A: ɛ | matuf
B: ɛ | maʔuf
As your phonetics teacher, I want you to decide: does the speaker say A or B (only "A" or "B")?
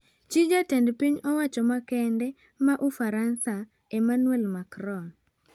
B